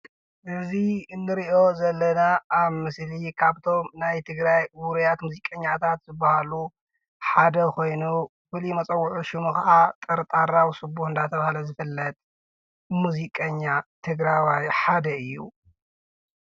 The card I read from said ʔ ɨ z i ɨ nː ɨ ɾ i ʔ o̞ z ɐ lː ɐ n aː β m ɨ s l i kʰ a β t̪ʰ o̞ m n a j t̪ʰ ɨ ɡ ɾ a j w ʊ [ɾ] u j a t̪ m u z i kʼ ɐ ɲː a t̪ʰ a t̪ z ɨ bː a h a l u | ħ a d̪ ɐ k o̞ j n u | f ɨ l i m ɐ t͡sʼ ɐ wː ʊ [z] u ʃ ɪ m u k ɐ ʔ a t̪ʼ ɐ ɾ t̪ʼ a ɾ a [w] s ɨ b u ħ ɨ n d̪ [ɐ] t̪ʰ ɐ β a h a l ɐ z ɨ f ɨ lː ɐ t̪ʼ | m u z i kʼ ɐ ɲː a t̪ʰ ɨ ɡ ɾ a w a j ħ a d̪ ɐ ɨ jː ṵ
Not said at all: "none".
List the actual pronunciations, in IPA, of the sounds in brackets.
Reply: ɾ, ʕ, w, a

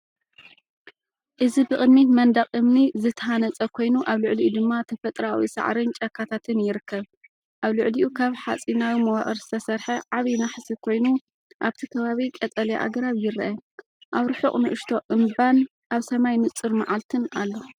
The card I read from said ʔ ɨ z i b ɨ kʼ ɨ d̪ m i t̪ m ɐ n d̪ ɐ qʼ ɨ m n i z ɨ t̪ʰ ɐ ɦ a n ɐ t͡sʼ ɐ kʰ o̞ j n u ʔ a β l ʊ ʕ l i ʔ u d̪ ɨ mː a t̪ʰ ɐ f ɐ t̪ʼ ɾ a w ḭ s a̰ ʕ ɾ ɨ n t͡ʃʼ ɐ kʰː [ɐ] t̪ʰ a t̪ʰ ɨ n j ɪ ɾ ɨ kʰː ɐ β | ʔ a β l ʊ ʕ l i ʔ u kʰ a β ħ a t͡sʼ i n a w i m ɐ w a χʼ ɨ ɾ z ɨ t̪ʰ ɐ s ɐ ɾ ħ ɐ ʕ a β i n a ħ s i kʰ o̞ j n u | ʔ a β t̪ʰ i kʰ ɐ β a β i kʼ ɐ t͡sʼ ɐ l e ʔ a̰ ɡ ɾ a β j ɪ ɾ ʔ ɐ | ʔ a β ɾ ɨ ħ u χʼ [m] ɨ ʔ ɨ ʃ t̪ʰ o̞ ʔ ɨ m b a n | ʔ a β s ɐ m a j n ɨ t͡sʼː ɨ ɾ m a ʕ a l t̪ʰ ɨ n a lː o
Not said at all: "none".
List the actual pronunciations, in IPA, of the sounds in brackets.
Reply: a, n

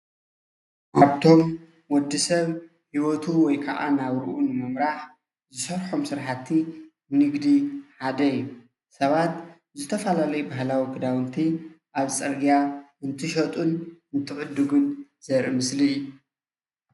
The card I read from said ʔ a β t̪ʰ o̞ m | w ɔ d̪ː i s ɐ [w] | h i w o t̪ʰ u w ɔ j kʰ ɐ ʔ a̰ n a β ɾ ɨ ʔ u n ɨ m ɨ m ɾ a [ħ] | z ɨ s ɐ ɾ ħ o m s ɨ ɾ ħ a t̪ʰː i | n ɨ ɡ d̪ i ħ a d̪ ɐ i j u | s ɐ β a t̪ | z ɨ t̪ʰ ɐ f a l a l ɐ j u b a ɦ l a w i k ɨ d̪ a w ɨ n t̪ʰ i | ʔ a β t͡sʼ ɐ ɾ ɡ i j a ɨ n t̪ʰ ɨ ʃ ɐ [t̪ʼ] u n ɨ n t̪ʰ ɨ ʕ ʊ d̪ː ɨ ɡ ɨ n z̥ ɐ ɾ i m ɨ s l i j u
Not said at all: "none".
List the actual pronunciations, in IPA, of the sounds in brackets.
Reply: β, ħ, t̪ʼ

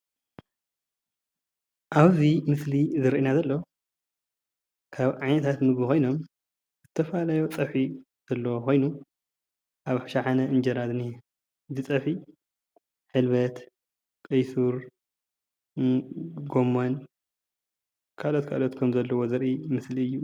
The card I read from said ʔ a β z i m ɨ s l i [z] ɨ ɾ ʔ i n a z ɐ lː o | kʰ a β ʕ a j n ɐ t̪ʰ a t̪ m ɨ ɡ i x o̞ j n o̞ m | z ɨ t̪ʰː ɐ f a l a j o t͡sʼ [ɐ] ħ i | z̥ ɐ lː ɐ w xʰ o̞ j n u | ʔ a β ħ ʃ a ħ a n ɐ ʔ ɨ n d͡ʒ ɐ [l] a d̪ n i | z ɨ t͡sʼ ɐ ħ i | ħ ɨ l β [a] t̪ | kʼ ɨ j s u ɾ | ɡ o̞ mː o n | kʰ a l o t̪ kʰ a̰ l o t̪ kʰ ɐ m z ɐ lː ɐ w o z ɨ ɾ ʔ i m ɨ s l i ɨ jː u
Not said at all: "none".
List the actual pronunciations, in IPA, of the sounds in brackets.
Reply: z, ɐ, ɾ, ɐ

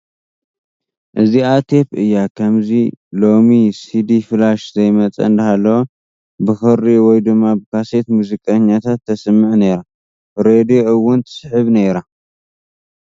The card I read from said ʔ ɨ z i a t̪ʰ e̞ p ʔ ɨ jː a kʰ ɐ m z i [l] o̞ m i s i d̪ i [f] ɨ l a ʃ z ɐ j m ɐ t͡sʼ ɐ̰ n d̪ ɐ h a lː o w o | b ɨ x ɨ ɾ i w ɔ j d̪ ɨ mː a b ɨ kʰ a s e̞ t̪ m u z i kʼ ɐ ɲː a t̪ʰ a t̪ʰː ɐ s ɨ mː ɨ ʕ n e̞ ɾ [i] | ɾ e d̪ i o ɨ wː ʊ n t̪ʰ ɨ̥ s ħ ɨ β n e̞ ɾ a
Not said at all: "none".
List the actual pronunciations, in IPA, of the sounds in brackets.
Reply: l, f, a

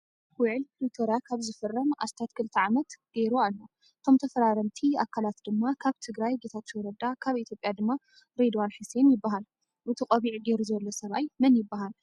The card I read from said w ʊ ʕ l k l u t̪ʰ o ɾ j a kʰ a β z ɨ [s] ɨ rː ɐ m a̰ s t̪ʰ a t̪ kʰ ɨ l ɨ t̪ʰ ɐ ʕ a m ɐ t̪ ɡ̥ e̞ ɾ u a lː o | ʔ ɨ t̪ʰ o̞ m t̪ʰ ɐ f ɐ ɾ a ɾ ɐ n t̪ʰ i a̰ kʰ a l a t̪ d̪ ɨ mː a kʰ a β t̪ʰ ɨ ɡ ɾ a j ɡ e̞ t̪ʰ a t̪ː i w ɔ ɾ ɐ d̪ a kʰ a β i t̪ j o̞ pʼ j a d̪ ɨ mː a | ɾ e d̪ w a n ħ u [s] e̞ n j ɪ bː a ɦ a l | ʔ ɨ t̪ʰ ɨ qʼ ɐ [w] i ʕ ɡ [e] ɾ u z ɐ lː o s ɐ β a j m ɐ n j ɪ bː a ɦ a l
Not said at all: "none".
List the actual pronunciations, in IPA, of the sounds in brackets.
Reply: f, s, β, e

